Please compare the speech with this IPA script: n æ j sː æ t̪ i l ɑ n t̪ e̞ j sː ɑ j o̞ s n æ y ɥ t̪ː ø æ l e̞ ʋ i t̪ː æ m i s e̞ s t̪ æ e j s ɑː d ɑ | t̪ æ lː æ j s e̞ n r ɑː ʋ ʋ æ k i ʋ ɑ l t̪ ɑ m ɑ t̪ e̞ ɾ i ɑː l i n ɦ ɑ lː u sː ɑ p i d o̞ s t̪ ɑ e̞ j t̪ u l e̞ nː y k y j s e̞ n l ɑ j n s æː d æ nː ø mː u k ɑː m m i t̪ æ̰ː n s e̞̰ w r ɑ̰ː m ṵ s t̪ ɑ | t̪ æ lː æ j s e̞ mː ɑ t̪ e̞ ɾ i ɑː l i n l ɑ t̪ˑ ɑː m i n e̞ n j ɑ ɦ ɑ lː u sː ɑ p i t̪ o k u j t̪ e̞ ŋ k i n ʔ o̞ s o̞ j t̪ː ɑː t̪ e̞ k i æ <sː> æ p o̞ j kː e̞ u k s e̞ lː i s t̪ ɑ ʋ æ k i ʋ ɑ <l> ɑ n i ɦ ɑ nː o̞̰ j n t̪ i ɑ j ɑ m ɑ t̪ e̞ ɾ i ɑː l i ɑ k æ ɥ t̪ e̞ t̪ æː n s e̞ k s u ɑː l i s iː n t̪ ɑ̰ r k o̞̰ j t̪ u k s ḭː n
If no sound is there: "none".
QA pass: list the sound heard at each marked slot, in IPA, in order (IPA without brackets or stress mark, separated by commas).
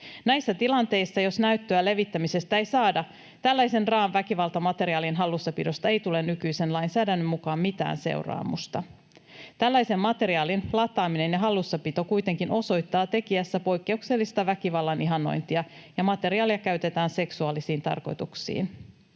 sː, lː